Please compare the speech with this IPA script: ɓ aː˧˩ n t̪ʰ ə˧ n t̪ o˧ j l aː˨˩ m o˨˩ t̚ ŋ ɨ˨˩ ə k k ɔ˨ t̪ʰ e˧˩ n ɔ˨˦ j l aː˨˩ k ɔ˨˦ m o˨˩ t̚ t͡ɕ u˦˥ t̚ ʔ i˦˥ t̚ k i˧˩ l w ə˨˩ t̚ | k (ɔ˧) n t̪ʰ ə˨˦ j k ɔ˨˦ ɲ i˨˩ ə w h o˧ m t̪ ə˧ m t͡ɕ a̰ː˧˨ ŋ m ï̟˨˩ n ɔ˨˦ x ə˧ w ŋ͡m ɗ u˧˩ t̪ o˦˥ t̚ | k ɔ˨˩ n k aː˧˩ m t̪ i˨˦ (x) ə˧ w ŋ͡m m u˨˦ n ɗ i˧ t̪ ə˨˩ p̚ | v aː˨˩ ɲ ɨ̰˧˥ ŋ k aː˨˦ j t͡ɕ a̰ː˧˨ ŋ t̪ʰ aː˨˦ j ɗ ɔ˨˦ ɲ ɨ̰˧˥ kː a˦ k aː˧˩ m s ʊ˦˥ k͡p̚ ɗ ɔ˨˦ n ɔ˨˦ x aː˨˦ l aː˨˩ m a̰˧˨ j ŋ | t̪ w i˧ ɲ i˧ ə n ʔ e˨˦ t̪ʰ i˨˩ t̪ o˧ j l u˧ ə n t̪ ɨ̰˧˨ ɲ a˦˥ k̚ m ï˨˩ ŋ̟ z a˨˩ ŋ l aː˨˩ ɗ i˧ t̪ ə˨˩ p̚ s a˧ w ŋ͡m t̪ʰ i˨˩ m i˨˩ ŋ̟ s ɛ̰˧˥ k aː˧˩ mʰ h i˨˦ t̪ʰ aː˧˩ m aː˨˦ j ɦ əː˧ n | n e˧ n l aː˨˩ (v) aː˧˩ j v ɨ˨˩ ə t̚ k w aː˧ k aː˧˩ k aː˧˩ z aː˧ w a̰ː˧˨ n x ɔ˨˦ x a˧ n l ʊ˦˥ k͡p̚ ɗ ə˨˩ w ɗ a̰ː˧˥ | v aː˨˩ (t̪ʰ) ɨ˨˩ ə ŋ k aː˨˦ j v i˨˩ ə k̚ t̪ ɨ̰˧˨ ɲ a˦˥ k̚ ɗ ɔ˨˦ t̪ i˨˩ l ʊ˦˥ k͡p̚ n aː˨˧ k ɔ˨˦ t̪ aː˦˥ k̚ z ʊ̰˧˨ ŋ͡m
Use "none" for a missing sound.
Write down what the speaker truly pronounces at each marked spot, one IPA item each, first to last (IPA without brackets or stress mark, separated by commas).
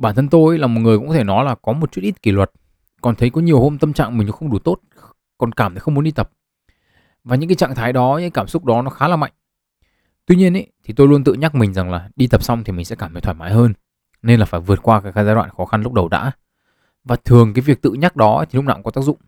ɔ˨˩, x, f, t̪ʰ